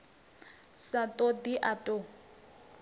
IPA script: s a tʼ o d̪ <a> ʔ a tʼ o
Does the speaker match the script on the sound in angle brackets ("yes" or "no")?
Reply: no